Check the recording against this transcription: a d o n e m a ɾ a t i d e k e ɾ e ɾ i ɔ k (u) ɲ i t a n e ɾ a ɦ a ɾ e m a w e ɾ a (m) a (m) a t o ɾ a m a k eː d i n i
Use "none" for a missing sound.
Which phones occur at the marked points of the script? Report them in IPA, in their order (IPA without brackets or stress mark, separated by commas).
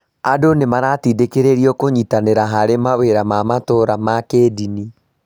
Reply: o, m, m